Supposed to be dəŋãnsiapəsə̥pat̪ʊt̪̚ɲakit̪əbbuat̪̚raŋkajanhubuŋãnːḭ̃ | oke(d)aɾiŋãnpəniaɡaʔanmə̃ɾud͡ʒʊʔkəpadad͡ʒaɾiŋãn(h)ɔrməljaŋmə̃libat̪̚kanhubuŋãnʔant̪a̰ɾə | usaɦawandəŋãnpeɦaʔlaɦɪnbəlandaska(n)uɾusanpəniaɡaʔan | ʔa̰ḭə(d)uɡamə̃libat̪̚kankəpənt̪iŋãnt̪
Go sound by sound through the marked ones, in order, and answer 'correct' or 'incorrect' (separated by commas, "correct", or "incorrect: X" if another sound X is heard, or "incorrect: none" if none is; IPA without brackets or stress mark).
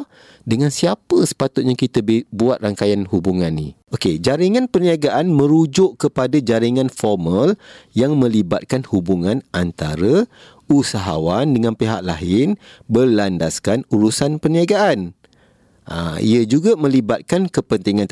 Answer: incorrect: d͡ʒ, incorrect: f, correct, incorrect: d͡ʒ